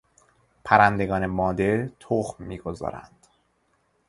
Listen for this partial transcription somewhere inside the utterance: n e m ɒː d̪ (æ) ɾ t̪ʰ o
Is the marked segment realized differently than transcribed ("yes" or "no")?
yes